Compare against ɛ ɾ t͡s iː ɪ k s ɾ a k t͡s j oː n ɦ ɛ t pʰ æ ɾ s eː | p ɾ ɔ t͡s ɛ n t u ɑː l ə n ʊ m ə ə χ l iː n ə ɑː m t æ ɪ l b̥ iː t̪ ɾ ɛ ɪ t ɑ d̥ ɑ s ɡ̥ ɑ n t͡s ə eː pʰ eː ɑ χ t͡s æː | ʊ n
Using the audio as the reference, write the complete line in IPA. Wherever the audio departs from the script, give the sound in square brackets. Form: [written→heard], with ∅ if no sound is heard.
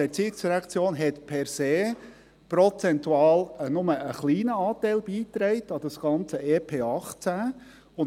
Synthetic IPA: ɛ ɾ t͡s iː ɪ k s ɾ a k t͡s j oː n ɦ ɛ t pʰ [æ→ɛ] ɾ s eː | p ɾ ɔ t͡s ɛ n t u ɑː l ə n ʊ m ə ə χ l iː n ə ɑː [m→∅] t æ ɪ l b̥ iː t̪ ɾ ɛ ɪ t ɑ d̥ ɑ s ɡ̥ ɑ n t͡s ə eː pʰ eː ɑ χ t͡s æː | ʊ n